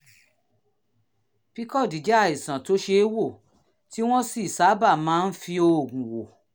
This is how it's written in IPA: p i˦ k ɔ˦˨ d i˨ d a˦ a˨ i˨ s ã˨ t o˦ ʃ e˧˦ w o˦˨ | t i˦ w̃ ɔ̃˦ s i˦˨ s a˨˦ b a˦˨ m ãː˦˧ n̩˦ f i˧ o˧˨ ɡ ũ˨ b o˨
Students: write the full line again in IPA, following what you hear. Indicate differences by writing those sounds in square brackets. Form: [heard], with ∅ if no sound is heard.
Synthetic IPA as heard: p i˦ k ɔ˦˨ d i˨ [d͡ʒ] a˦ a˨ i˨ s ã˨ t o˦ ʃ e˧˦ w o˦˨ | t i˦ w̃ ɔ̃˦ s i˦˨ s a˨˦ b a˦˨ m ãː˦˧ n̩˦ f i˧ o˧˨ ɡ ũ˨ [w] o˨